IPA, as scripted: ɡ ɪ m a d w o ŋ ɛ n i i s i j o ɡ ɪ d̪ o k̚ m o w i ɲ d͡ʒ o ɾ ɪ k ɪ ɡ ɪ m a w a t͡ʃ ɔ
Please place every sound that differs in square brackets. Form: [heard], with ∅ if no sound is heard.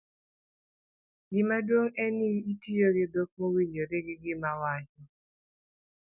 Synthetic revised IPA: ɡ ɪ m a d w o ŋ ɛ n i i [t] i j o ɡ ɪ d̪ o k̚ m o w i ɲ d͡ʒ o ɾ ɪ [ɡ] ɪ ɡ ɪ m a w a t͡ʃ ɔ